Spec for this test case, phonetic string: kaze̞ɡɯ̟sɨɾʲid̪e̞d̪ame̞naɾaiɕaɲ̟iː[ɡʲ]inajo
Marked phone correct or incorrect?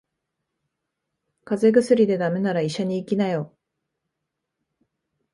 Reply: incorrect